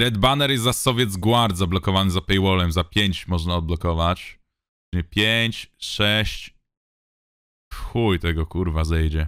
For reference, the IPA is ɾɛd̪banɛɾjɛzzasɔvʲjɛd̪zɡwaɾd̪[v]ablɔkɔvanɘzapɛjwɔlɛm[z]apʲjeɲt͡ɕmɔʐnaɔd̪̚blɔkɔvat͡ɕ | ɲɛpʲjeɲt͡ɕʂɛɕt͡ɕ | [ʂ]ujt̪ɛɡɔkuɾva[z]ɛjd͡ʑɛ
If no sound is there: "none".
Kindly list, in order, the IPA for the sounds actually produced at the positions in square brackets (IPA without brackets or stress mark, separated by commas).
z, z, x, z